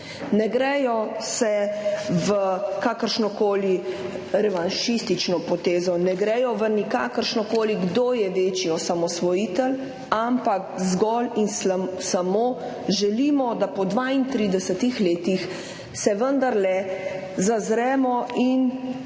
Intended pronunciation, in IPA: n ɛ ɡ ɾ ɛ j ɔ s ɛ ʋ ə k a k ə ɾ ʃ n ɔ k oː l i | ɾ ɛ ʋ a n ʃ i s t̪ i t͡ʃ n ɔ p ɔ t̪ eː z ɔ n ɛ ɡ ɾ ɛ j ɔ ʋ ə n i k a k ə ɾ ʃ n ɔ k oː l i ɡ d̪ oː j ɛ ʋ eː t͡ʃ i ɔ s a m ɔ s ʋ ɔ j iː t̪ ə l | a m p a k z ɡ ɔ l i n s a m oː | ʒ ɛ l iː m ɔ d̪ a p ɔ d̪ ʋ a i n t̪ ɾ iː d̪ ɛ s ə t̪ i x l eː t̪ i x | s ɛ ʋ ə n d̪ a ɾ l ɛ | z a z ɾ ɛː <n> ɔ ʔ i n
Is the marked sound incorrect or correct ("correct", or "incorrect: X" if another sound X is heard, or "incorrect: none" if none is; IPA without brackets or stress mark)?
incorrect: m